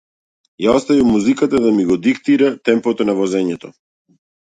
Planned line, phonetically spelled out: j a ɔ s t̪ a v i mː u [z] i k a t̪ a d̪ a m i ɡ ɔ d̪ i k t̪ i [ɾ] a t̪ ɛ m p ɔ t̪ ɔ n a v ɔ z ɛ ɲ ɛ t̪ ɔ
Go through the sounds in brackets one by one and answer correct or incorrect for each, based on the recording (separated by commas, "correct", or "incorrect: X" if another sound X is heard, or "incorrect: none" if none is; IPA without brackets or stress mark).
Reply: correct, correct